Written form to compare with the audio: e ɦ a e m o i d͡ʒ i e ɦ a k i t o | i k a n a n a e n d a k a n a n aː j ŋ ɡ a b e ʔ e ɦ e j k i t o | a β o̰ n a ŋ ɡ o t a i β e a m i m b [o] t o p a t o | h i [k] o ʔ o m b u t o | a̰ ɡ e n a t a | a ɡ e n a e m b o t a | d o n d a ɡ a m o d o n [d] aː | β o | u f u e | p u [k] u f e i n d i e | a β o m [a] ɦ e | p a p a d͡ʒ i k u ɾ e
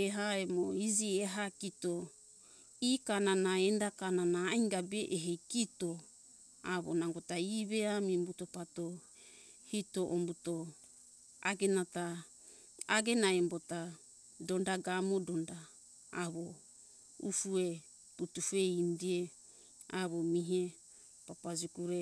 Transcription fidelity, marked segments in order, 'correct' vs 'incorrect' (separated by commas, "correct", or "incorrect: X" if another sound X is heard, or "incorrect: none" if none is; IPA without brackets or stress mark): incorrect: u, incorrect: t, correct, incorrect: t, incorrect: i